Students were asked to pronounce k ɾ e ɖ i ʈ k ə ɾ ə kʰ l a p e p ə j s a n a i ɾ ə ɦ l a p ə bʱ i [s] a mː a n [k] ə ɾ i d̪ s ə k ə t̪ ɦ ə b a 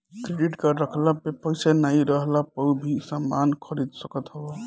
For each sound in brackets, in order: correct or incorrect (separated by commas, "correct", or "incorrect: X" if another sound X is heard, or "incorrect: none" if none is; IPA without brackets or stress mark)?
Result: correct, incorrect: kʰ